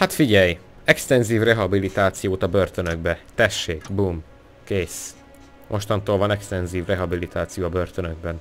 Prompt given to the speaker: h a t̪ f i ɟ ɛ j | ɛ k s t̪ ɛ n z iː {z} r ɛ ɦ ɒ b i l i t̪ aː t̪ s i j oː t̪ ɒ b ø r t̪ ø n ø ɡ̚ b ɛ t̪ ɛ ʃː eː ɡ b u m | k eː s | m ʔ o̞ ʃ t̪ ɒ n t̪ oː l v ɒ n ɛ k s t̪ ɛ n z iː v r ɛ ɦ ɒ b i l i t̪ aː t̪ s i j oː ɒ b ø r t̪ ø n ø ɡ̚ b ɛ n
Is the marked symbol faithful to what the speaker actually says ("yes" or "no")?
no